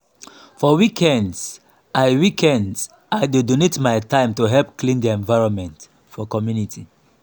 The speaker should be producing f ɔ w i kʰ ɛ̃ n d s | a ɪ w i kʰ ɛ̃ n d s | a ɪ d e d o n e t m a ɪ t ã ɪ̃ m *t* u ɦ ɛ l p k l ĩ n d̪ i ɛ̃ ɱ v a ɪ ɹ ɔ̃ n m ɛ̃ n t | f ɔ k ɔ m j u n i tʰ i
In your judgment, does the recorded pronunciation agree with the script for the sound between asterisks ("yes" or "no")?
yes